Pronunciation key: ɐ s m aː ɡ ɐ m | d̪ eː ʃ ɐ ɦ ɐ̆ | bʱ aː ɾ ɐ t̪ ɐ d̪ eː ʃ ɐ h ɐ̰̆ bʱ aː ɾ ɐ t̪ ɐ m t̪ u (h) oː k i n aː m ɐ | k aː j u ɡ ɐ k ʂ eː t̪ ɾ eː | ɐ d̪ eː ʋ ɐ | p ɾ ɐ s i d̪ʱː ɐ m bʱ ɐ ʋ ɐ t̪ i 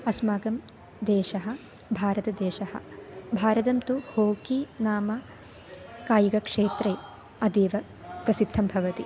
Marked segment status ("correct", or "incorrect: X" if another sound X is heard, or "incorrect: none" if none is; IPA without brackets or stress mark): correct